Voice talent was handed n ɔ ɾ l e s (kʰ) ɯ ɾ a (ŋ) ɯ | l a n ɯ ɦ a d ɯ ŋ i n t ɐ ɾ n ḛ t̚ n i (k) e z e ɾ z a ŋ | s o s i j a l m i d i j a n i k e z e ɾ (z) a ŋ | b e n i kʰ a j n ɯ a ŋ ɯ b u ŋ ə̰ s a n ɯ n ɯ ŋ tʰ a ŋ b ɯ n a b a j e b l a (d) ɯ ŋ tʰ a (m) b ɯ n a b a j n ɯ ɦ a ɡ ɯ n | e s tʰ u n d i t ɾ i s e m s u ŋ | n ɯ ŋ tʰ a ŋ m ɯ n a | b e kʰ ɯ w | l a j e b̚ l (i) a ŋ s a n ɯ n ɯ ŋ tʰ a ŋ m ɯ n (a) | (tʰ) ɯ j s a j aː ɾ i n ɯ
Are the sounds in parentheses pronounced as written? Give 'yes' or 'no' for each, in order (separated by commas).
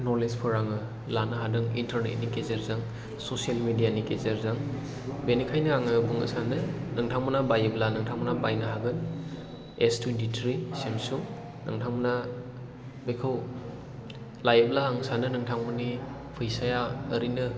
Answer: no, yes, yes, yes, no, no, no, no, no